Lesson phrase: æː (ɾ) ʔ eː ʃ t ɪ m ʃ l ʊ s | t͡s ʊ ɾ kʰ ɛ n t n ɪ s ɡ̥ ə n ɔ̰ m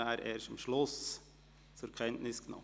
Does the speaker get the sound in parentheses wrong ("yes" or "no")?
no